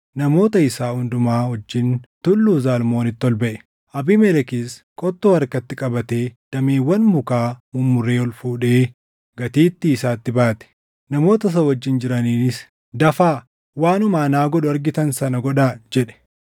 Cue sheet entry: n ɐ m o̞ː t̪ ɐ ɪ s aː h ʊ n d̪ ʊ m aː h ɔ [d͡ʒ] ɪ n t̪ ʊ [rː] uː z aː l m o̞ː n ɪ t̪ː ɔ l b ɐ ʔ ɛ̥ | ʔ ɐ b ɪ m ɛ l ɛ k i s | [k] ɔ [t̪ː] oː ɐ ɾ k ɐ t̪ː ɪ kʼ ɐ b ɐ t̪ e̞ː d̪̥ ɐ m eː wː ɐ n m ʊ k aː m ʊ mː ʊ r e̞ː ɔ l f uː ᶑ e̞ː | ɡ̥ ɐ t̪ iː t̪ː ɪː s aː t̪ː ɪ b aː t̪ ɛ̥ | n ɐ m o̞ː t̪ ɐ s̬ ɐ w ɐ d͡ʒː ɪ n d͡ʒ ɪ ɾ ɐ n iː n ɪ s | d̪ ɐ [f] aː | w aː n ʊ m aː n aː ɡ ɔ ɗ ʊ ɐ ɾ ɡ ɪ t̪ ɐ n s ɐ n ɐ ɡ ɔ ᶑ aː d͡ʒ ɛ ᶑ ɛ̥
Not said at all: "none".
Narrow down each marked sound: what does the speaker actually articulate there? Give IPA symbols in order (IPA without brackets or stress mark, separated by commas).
d͡ʒː, lː, kʼ, t̪ː, f